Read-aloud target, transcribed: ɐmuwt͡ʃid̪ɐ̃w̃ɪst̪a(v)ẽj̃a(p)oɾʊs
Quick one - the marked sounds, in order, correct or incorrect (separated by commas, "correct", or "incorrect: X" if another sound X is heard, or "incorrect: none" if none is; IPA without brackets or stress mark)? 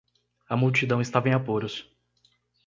correct, correct